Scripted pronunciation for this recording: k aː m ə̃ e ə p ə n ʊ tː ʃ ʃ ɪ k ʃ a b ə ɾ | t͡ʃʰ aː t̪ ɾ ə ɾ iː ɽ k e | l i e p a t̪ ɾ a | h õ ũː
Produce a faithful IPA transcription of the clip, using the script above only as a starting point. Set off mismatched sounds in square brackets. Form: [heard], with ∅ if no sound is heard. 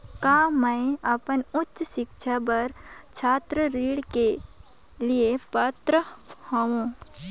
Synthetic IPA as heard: k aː m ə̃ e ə p ə n ʊ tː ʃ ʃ ɪ k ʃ a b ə ɾ | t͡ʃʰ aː t̪ ɾ ə ɾ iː ɽ k e | l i e p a t̪ ɾ [ə] | h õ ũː